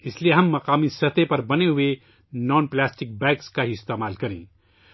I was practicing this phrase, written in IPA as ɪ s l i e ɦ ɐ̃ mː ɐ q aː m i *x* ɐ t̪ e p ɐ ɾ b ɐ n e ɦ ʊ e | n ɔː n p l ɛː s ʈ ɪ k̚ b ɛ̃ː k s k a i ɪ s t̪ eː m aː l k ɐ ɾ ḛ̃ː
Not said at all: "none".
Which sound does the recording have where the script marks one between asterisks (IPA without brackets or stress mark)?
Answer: s